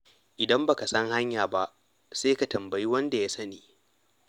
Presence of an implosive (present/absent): absent